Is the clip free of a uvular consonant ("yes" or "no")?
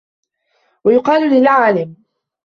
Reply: no